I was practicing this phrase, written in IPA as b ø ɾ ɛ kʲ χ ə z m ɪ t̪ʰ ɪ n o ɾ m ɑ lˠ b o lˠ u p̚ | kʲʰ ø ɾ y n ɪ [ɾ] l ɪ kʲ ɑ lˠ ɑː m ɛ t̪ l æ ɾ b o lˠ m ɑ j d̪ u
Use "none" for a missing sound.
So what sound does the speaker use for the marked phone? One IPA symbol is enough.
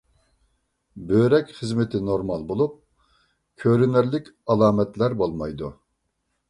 ɾ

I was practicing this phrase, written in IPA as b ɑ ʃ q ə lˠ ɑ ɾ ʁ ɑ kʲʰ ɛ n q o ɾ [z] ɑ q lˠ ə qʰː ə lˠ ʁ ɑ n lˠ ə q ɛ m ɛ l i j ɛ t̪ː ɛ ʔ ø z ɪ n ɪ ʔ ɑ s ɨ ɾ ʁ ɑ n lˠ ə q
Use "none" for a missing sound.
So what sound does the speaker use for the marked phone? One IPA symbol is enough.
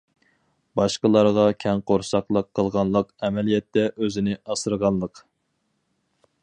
s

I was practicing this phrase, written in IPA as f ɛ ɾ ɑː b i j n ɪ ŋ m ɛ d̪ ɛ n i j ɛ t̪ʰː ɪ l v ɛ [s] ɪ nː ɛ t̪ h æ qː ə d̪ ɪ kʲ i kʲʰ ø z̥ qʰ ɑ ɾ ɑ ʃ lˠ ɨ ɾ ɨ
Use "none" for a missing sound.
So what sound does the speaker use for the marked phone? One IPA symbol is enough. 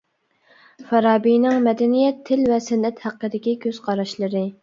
s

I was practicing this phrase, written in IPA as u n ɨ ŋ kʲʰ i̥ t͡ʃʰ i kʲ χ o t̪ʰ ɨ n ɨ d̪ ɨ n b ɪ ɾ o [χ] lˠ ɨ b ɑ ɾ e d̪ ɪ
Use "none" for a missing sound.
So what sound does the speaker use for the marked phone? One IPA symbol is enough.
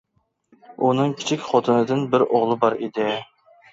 ʁ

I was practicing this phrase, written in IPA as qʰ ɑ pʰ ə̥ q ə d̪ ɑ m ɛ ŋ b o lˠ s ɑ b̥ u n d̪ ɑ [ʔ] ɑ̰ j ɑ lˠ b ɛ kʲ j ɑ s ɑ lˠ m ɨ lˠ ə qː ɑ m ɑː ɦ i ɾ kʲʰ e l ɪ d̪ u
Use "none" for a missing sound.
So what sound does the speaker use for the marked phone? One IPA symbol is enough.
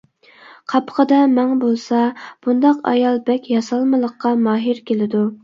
q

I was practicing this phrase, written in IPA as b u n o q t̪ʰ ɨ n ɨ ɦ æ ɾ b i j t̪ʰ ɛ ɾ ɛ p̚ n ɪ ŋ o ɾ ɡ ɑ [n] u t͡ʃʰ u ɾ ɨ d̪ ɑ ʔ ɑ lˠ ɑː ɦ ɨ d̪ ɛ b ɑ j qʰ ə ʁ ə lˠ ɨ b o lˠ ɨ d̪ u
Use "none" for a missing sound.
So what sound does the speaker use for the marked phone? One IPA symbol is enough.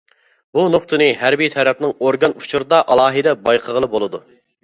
n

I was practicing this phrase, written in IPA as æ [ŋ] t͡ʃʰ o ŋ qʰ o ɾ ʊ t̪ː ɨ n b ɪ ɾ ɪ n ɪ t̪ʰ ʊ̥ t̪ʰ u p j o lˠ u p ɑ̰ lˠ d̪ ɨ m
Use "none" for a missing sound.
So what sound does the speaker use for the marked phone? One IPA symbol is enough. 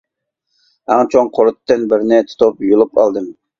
ŋ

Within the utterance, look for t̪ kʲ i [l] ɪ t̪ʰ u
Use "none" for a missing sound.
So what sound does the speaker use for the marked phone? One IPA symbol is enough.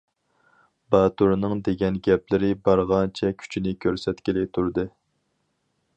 l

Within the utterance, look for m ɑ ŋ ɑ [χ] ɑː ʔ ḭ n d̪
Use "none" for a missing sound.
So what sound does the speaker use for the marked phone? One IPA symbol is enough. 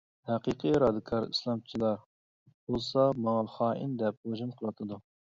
χ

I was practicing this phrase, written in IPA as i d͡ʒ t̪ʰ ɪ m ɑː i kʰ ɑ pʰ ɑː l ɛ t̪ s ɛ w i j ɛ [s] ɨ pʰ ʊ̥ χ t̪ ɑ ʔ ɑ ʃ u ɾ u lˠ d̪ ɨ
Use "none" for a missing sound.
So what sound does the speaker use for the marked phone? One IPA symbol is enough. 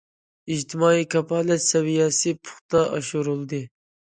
s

